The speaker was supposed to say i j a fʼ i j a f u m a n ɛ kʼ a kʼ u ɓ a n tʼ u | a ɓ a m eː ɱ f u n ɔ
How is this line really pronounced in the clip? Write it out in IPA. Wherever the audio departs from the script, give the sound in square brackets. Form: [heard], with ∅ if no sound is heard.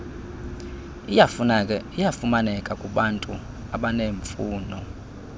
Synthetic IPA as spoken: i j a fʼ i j a f u m a n ɛ kʼ a kʼ u ɓ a n tʼ u | a ɓ a [n] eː ɱ f [uː] n ɔ